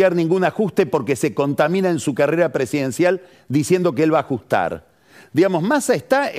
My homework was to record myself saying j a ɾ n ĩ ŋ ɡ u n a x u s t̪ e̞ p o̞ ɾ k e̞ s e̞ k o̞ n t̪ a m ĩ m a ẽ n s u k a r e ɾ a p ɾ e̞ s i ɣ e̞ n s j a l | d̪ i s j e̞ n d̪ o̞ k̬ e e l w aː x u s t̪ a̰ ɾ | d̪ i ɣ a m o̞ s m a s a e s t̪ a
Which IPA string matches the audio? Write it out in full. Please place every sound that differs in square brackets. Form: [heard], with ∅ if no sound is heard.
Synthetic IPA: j a ɾ n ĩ ŋ ɡ u n a x u s t̪ e̞ p o̞ ɾ k e̞ s e̞ k o̞ n t̪ a m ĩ [n] a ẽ n s u k a r e ɾ a p ɾ e̞ s i [ð] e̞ n s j a l | d̪ i s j e̞ n d̪ o̞ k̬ e e l [β] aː x u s t̪ a̰ ɾ | d̪ i ɣ a m o̞ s m a s a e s t̪ a